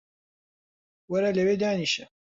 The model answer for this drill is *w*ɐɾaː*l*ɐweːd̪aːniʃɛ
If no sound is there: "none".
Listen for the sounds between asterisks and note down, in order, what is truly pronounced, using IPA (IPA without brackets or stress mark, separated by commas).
w, l